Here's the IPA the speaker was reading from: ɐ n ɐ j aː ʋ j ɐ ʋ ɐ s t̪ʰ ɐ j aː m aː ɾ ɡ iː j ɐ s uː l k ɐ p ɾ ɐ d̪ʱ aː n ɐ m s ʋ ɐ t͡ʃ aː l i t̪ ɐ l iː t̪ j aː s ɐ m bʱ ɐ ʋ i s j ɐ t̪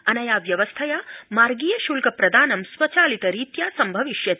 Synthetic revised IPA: ɐ n ɐ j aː ʋ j ɐ ʋ ɐ s t̪ʰ ɐ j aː m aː ɾ ɡ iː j ɐ ʃ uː l k ɐ p ɾ ɐ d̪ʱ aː n ɐ m s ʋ ɐ t͡ʃ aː l i t̪ ɐ ɾ iː t̪ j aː s ɐ m bʱ ɐ ʋ i ʃ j ɐ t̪